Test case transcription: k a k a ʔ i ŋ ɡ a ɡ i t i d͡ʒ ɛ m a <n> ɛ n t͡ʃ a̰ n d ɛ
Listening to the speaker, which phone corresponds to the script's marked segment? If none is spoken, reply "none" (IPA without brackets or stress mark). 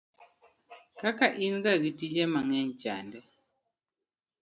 ŋ